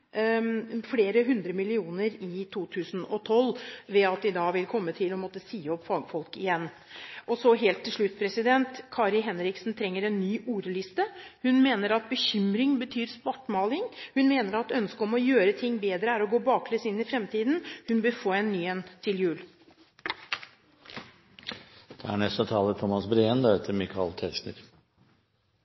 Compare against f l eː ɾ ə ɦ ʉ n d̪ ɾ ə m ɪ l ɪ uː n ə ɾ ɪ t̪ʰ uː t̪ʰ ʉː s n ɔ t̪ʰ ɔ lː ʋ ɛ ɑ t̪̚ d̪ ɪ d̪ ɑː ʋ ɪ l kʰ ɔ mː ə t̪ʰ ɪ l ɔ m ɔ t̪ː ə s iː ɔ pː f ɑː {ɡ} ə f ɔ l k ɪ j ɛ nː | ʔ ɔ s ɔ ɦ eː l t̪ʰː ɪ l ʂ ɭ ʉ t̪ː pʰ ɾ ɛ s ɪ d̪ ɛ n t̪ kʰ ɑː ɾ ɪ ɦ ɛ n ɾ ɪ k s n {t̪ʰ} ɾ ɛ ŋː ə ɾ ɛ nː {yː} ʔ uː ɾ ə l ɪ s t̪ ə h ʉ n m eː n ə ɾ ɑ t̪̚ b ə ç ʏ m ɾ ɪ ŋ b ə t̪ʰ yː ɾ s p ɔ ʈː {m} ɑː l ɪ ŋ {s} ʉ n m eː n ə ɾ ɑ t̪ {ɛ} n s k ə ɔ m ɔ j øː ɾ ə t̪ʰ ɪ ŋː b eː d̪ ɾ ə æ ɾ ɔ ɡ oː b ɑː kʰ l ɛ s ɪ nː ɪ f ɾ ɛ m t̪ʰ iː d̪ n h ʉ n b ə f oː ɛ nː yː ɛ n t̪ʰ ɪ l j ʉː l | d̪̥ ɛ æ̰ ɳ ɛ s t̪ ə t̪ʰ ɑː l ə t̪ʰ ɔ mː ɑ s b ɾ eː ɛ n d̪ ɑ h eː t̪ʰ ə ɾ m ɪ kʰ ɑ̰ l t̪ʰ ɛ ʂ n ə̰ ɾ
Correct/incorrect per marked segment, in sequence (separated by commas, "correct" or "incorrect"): correct, correct, correct, correct, incorrect, incorrect